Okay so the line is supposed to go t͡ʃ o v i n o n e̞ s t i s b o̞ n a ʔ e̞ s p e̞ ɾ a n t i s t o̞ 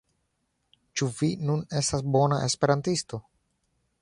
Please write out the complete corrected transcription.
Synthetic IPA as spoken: t͡ʃ u v i n u n e̞ s t a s b o̞ n a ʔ e̞ s p e̞ ɾ a n t i s t o̞